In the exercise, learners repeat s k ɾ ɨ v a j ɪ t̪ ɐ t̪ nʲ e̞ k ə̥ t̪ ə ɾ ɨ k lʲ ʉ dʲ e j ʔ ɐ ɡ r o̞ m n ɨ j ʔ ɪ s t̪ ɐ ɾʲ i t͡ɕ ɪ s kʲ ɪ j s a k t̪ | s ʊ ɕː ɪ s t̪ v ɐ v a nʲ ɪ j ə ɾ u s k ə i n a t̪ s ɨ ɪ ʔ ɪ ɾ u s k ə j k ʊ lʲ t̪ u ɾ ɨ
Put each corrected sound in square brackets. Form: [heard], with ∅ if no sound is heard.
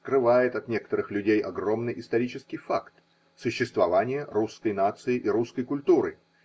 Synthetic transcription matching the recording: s k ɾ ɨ v a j ɪ t̪ ɐ t̪ nʲ e̞ k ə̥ t̪ ə ɾ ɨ [x] lʲ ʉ dʲ e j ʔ ɐ ɡ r o̞ m n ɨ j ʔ ɪ s t̪ ɐ ɾʲ i t͡ɕ ɪ s kʲ ɪ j [f] a k t̪ | s ʊ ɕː ɪ s t̪ v ɐ v a nʲ ɪ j ə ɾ u s k ə [j] n a t̪ s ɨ ɪ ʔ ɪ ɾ u s k ə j k ʊ lʲ t̪ u ɾ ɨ